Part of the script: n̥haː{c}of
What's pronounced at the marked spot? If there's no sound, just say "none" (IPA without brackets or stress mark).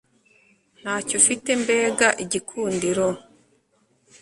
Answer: c